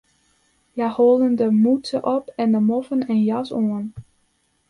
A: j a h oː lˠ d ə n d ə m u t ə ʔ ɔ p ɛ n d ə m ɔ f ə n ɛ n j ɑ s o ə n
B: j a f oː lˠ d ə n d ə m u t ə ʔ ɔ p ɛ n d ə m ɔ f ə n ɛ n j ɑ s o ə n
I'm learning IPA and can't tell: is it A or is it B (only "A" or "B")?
A